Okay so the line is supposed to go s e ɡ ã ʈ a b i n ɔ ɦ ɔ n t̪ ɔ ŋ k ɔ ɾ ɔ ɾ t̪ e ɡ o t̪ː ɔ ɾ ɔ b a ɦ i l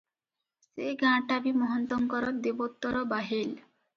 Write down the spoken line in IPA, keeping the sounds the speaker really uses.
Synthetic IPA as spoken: s e ɡ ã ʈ a b i m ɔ ɦ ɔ n t̪ ɔ ŋ k ɔ ɾ ɔ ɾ d̪ e b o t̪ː ɔ ɾ ɔ b a ɦ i l